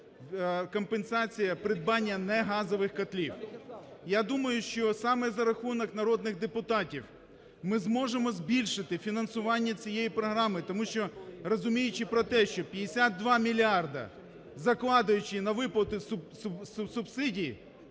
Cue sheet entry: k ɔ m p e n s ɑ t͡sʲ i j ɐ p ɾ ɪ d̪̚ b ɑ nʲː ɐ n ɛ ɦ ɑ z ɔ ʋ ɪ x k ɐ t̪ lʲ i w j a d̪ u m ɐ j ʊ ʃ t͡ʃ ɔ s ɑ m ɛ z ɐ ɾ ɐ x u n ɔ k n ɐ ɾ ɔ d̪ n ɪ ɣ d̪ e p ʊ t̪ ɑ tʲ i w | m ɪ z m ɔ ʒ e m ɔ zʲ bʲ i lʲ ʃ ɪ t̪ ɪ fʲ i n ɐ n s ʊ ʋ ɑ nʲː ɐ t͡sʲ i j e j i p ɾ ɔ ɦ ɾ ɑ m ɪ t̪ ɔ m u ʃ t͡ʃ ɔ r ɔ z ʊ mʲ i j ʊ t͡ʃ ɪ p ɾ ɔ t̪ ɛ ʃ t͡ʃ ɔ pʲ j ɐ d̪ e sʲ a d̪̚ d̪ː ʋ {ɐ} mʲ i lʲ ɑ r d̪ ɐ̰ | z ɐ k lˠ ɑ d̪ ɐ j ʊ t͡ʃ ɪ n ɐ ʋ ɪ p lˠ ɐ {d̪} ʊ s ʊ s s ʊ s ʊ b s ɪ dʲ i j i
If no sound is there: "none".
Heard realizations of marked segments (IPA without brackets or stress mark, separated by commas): ɑ, t̪